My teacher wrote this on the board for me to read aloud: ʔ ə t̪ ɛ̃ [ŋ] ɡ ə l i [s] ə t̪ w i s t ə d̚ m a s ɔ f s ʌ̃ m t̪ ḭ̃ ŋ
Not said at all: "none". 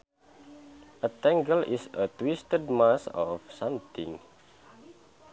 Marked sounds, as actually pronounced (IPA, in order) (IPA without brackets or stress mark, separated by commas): ŋ, s